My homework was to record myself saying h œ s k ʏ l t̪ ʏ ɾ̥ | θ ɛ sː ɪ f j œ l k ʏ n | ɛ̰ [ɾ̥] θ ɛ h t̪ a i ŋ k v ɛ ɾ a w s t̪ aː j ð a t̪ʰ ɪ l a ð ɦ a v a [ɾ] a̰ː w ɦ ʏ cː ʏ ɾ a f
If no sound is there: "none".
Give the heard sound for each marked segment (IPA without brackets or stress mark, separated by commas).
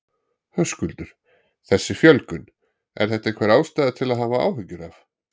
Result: ɾ̥, none